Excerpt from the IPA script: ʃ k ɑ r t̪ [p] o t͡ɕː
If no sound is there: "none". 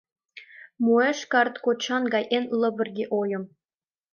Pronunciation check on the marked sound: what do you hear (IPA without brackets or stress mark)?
k